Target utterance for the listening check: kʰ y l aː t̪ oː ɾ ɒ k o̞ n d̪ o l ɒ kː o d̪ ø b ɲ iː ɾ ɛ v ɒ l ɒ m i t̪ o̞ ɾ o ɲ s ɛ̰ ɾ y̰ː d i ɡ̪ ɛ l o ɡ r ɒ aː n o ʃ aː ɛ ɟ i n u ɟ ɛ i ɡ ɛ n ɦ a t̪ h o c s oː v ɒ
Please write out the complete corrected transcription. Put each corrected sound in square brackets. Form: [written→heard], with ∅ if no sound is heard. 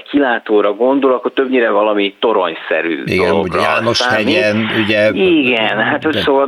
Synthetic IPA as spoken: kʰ [y→i] l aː t̪ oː ɾ ɒ [k→ɡ] o̞ n d̪ o l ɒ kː o [d̪→t̪] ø b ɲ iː ɾ ɛ v ɒ l ɒ m i t̪ o̞ ɾ o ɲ s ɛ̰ ɾ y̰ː d i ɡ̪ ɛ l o ɡ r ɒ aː n o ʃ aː ɛ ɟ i n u ɟ ɛ i ɡ ɛ n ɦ a t̪ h o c s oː v ɒ